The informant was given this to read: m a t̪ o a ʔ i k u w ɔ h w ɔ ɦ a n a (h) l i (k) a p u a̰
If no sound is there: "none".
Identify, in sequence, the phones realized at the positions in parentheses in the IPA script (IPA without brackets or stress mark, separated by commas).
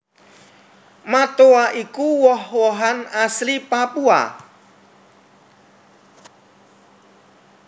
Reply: s, p